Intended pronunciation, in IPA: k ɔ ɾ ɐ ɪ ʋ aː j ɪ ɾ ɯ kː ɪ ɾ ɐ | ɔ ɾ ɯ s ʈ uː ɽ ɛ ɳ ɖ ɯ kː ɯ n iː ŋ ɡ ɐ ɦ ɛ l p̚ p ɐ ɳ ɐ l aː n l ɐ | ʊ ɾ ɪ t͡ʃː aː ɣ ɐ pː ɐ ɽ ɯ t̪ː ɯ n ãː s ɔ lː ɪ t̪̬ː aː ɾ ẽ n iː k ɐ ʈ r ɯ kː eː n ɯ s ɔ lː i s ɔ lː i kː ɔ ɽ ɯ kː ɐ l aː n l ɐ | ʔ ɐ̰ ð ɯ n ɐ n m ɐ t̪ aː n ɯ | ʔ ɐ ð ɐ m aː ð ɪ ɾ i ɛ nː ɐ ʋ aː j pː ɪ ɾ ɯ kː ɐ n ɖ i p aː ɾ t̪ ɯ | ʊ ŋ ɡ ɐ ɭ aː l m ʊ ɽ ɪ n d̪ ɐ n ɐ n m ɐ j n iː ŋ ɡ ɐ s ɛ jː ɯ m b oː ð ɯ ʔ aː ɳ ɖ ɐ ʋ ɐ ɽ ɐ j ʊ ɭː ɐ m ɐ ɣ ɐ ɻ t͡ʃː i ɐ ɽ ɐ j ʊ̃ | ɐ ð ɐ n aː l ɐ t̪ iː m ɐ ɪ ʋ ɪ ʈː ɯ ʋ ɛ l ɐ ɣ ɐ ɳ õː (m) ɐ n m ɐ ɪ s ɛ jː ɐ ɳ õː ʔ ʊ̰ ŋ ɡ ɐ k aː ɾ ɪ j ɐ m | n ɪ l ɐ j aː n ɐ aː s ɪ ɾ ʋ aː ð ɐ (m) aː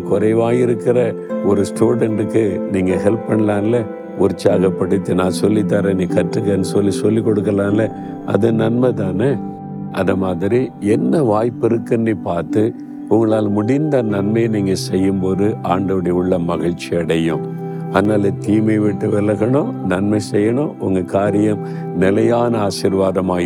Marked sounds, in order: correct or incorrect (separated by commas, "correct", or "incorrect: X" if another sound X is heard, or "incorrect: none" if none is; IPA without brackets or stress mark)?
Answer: incorrect: n, correct